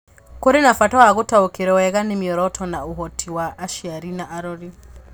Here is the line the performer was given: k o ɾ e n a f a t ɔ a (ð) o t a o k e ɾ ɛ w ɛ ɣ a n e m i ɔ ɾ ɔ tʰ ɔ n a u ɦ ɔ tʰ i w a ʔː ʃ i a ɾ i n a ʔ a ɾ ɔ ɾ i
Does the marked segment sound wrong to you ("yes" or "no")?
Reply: yes